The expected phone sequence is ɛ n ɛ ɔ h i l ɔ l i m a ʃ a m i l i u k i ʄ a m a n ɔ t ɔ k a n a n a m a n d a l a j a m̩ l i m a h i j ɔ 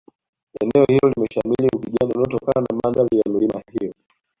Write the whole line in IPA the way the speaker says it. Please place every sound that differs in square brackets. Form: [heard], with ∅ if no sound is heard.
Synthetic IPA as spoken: ɛ n ɛ ɔ h i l ɔ l i m [ɛ] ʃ a m i l i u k i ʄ a [n] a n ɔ t ɔ k a n a n a m a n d a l [i] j a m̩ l i m a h i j ɔ